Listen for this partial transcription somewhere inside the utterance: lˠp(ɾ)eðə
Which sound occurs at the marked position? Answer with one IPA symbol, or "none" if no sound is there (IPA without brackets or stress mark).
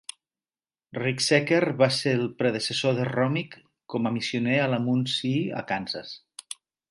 ɾ